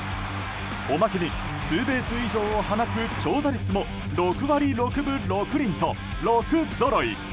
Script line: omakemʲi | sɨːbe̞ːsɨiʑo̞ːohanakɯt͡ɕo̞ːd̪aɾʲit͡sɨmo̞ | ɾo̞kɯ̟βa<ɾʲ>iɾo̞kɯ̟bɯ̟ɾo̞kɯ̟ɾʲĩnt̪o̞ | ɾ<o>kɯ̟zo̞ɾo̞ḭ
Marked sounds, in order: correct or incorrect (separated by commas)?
correct, correct